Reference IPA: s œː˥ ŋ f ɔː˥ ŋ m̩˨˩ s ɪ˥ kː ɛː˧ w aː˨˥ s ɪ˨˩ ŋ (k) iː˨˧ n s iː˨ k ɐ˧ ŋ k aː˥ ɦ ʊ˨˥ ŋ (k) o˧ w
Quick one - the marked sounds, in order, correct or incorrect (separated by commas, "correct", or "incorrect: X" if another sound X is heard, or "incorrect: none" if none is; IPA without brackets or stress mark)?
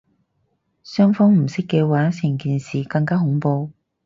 correct, incorrect: p